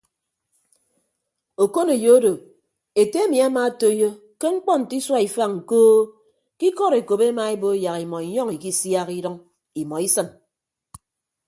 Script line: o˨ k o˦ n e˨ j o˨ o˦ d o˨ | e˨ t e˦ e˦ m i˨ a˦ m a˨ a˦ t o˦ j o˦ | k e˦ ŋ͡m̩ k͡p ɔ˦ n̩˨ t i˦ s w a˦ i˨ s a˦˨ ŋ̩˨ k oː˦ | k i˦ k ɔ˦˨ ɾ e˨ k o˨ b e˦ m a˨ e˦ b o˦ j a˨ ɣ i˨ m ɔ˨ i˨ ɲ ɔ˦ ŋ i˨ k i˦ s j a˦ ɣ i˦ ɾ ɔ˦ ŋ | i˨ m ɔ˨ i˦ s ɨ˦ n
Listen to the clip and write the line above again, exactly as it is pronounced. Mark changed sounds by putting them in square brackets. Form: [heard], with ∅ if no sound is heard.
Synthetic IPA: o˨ k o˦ n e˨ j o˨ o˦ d o˨ | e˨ t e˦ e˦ m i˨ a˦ m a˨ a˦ t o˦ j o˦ | k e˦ ŋ͡m̩ k͡p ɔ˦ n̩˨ t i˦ s w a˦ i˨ [f] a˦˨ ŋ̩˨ k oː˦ | k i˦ k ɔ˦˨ ɾ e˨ k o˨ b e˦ m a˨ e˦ b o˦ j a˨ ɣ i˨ m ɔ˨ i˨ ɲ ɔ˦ ŋ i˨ k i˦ s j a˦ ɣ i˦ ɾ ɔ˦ ŋ | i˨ m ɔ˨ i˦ s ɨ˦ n